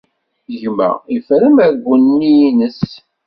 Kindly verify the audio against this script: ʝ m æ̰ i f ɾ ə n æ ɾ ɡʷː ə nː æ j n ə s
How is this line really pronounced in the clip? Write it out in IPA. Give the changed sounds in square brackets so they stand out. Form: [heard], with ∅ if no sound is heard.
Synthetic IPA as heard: ʝ m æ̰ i f ɾ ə [m] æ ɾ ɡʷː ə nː [i] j n ə s

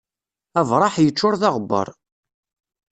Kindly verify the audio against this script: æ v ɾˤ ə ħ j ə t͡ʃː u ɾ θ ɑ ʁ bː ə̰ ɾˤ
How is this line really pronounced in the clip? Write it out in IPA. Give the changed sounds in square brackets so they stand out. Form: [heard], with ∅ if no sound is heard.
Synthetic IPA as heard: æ v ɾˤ [ɑ] ħ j ə t͡ʃː [ʊ] ɾ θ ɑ ʁ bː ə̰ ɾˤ

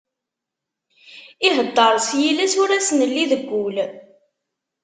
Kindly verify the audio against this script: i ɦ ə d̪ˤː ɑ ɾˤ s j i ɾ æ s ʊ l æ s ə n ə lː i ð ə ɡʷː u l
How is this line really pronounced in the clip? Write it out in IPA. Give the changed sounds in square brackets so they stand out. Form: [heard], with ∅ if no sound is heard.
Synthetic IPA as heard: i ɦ ə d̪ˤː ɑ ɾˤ s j i [l] æ s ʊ [ɾ] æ s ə n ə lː i ð ə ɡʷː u l

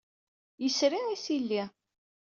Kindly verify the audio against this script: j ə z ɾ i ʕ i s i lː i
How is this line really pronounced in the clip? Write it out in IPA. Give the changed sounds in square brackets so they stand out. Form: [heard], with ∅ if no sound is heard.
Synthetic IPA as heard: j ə [s] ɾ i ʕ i s i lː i

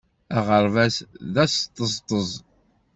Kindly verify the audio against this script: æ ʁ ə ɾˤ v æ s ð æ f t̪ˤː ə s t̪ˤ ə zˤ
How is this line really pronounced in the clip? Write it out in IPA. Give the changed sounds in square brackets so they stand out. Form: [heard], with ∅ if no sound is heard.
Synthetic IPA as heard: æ ʁ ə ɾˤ v æ s ð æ [s] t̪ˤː ə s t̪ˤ ə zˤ

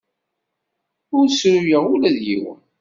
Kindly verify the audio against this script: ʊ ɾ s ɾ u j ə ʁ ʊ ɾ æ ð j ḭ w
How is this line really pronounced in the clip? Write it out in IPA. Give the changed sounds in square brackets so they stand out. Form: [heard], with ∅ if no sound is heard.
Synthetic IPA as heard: ʊ ɾ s ɾ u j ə ʁ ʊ [l] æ ð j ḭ w

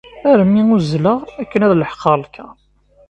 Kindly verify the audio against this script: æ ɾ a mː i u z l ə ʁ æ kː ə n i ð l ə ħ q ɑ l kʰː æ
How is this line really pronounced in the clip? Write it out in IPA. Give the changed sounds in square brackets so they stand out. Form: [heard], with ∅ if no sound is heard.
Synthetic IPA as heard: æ ɾ [ə] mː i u z l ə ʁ æ kː ə n [æ] ð l ə ħ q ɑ l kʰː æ

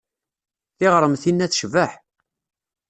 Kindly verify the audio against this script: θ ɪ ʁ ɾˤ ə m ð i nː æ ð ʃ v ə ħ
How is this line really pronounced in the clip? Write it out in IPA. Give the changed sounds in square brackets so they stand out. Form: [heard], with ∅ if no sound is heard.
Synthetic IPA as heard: θ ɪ ʁ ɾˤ ə m [θ] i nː æ [θ] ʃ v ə ħ

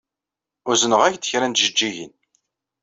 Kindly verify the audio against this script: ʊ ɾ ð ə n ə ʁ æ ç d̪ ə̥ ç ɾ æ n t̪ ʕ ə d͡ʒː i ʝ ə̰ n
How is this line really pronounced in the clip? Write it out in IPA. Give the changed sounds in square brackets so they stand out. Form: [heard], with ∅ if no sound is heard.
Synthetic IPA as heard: ʊ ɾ [z] ə n ə ʁ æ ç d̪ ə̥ ç ɾ æ n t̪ [ʒ] ə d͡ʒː i ʝ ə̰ n

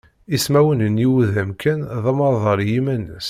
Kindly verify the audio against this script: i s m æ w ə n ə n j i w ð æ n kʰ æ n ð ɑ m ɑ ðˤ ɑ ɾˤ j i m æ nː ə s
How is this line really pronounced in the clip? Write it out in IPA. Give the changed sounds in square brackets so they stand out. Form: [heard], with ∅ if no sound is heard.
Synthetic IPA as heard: i s m æ w ə n ə n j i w ð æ [m] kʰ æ n ð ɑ m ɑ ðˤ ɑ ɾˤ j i m æ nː ə s

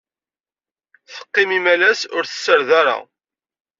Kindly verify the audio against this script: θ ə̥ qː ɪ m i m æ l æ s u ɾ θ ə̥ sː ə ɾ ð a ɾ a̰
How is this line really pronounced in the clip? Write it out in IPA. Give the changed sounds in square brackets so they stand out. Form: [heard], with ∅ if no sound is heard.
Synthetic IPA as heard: θ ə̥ qː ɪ m i m æ l æ s [ʊ] ɾ θ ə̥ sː ə ɾ ð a ɾ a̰

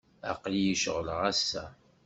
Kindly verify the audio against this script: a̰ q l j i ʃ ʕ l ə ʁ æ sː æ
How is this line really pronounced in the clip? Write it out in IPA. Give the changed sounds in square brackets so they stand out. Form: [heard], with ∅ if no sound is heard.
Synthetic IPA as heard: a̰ q l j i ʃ [ʁ] l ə ʁ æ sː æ

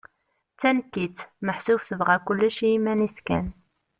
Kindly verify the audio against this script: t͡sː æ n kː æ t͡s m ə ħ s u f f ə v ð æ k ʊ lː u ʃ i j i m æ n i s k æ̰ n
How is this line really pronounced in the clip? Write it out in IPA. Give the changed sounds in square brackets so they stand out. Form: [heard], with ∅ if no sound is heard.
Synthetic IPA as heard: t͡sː æ n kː [i] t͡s m ə ħ s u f [θ] ə v [ʁ] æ k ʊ lː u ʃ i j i m æ n i s k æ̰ n

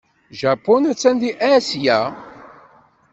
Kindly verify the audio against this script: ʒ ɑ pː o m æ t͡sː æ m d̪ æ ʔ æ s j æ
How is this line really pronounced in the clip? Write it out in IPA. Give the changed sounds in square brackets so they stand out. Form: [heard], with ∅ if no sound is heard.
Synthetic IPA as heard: ʒ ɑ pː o [n] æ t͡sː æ [n] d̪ [i] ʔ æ s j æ

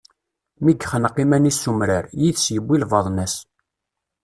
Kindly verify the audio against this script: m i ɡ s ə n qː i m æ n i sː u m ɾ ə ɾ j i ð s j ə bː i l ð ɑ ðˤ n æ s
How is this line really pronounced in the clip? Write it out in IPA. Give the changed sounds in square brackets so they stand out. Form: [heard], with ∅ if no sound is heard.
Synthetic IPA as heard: m i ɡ [χ] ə n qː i m æ n i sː u m ɾ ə ɾ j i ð s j ə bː i l [v] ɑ ðˤ n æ s

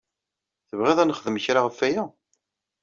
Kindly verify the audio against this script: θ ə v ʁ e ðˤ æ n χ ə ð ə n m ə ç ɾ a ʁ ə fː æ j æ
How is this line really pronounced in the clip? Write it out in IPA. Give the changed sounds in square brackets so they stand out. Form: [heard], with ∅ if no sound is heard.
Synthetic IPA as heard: θ ə v ʁ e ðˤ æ n χ ə ð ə [∅] m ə ç ɾ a ʁ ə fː æ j æ

